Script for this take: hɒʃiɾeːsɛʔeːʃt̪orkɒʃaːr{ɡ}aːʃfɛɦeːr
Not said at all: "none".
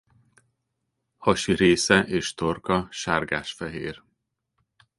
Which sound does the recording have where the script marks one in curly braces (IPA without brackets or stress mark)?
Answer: ɡ